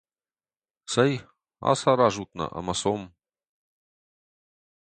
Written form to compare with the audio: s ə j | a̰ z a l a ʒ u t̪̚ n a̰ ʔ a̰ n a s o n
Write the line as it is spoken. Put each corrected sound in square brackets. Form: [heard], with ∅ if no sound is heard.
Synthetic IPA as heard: s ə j | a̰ [s] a [ɾ] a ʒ u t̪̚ n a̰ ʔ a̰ [m] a s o [m]